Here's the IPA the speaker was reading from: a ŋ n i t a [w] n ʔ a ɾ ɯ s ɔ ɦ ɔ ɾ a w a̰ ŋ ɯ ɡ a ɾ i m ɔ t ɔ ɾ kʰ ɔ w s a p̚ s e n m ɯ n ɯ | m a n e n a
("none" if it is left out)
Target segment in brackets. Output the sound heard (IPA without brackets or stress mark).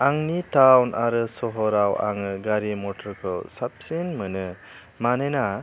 w